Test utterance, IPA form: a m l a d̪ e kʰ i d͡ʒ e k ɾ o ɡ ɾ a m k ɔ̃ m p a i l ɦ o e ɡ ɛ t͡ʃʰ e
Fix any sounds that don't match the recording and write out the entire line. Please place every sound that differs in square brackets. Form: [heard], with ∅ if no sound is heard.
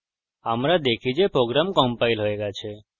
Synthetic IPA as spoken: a m [ɾ] a d̪ e kʰ i d͡ʒ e [p] ɾ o ɡ ɾ a m k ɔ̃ m p a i l ɦ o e ɡ [a] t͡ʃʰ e

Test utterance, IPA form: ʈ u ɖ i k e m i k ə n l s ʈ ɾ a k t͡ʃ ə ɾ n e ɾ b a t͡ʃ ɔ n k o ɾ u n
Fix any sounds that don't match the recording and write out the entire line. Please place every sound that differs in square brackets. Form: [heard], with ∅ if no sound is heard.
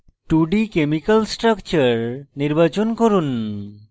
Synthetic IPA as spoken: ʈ u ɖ i k e m i k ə [∅] l s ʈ ɾ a k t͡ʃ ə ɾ n [i] ɾ b a t͡ʃ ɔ n k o ɾ u n

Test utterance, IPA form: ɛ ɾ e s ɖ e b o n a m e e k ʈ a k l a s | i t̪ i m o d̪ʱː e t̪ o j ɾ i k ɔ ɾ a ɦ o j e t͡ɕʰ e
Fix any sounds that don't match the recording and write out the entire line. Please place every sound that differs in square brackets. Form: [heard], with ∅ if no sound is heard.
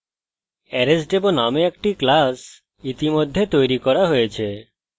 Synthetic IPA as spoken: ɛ ɾ e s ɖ e b o n a m e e k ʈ [i] k l a s | i t̪ i m o d̪ʱː e t̪ o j ɾ i k ɔ ɾ a ɦ o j e t͡ɕʰ e

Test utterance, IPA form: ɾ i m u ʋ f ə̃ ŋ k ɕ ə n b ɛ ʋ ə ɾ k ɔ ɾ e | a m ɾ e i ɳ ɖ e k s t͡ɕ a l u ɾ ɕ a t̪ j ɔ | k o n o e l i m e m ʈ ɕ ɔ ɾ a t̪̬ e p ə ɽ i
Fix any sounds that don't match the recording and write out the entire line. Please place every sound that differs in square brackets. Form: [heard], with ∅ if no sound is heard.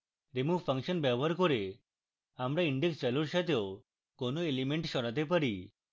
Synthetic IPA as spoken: ɾ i m u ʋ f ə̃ ŋ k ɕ ə n b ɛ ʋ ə ɾ k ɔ ɾ e | a m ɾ [a] i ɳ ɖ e k s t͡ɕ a l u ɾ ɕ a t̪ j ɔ | k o n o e l i m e [ɳ] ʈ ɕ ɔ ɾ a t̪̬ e p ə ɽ i

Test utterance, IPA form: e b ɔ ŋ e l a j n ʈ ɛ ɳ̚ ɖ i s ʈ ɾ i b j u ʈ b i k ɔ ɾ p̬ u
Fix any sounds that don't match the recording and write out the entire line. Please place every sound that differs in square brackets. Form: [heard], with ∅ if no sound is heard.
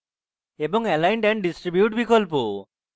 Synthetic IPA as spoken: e b ɔ ŋ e l a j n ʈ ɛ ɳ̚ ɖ i s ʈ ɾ i b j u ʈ b i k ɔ [l] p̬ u

